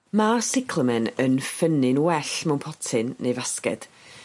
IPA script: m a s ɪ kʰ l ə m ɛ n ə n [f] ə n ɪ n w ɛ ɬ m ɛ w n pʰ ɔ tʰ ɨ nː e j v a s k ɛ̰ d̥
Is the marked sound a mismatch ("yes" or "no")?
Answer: no